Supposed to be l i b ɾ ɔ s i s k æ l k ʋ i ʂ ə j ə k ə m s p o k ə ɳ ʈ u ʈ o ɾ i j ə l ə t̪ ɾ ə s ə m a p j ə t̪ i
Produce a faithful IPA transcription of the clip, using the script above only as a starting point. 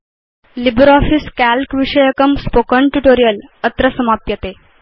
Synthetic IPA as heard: l i b ɾ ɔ f i s k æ l k ʋ i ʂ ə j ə k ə m s p o k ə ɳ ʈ u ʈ o ɾ i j ə l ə t̪ ɾ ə s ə m a p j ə t̪ e